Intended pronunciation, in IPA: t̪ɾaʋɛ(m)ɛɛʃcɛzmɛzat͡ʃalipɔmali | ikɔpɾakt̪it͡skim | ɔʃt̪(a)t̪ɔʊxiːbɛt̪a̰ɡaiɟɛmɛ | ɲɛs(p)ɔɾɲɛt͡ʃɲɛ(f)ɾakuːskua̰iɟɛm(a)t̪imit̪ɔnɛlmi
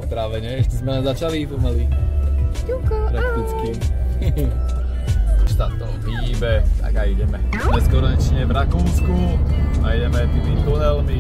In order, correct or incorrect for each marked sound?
incorrect, correct, incorrect, incorrect, incorrect

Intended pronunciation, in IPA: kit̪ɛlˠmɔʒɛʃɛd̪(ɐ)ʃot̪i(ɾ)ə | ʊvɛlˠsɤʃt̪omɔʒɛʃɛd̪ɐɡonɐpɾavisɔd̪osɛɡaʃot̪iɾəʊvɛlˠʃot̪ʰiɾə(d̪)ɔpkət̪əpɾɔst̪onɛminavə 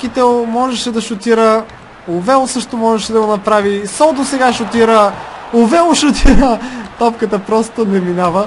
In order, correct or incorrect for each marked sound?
correct, correct, incorrect

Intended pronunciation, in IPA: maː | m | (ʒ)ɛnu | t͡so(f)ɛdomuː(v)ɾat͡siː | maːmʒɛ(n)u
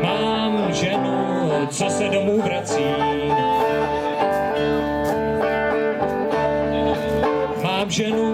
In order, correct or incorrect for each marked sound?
correct, incorrect, correct, correct

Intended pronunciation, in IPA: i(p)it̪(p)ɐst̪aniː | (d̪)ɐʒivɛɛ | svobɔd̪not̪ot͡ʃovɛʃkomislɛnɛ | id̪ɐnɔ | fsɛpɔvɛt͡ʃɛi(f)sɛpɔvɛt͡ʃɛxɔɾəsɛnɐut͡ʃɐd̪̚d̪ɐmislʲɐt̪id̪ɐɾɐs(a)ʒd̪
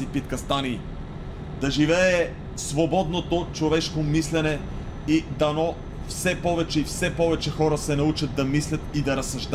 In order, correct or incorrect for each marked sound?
correct, incorrect, correct, correct, incorrect

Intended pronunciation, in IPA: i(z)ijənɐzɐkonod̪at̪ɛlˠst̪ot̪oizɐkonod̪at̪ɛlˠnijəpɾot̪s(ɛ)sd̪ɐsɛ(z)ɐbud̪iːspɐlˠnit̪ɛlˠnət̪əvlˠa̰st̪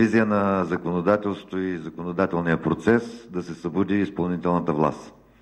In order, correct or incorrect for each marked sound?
correct, correct, incorrect

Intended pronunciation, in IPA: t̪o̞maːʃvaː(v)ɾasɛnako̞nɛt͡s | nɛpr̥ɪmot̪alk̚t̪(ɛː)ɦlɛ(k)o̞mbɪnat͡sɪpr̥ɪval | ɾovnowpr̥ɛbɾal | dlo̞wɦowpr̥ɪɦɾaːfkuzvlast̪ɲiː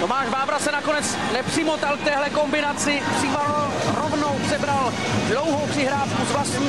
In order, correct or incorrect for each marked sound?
correct, correct, correct

